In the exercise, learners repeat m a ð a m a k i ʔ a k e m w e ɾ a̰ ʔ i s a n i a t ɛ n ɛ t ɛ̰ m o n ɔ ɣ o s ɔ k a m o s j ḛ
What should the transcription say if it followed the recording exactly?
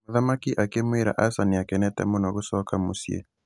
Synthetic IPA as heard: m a ð a m a k i ʔ a k e m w e ɾ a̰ ʔ a s a n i a k ɛ n ɛ t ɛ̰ m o n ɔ ɣ o s ɔ k a m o s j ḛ